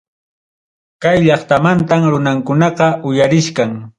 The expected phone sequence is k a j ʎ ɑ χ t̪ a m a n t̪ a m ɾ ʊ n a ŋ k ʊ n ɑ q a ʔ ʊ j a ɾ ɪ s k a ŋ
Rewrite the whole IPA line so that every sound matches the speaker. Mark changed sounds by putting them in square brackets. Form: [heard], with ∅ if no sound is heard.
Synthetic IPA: k a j ʎ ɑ χ t̪ a m a n t̪ a m ɾ ʊ n a ŋ k ʊ n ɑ q [ɑ] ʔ ʊ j a ɾ ɪ [ʃ] k a ŋ